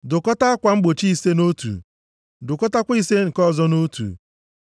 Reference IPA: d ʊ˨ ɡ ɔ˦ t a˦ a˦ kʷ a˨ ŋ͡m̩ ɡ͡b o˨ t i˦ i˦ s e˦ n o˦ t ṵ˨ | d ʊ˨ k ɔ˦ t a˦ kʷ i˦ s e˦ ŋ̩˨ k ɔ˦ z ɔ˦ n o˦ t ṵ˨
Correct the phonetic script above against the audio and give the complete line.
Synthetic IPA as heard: d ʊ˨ k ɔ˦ t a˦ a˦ kʷ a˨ ŋ͡m̩ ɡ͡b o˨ t͡ʃ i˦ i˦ s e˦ n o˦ t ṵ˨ | d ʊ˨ k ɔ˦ t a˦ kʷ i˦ s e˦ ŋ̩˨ k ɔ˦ z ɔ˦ n o˦ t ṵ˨